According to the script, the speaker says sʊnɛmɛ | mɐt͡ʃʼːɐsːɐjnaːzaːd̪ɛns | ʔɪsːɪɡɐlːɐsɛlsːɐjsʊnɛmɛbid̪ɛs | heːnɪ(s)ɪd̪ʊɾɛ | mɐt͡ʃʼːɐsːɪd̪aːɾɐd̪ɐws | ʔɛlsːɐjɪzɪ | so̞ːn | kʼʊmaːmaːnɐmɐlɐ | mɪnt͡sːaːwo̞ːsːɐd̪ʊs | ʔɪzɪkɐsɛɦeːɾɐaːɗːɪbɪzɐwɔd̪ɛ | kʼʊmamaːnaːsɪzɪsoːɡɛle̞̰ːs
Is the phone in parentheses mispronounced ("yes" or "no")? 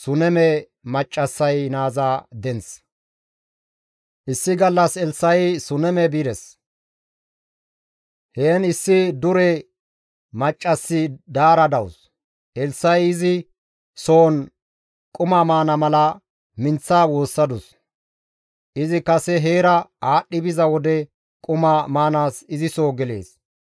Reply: yes